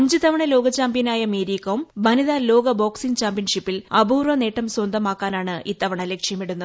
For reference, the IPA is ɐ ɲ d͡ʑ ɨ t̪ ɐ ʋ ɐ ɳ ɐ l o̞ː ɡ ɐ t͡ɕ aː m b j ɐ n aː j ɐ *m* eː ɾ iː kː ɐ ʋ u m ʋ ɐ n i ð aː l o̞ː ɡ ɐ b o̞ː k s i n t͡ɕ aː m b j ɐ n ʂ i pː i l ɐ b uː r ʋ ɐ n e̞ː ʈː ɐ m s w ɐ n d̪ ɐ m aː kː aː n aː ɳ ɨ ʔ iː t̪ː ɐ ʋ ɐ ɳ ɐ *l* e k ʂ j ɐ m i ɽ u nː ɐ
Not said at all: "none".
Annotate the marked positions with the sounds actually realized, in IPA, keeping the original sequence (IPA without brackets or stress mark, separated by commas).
m, l